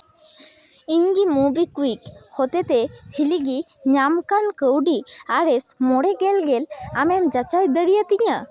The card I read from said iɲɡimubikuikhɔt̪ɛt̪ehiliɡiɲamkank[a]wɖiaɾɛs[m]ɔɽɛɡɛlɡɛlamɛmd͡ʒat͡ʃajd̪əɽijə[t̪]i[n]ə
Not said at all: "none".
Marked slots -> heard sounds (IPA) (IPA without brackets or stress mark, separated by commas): ə, m, t̪, ɲ